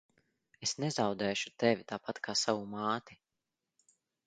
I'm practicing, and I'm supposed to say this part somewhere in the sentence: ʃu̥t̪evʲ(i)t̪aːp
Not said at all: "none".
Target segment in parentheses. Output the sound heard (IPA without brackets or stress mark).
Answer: i